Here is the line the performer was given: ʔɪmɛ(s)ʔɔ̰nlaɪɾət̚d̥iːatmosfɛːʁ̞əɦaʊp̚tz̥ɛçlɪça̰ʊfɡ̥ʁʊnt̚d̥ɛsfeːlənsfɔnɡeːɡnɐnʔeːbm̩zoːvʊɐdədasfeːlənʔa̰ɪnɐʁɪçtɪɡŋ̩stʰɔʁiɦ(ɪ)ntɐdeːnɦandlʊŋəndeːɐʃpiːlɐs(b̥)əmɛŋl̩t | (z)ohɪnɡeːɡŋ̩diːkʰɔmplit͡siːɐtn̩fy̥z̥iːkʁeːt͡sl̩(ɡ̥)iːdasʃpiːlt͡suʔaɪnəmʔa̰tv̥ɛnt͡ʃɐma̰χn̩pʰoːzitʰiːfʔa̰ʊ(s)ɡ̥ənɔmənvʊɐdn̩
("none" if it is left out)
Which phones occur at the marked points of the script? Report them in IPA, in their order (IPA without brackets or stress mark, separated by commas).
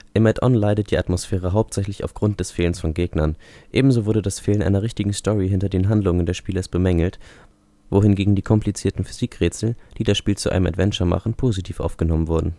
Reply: t, ɪ, b̥, v, d̥, f